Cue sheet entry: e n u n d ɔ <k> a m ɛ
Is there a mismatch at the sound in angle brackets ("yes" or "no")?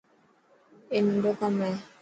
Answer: no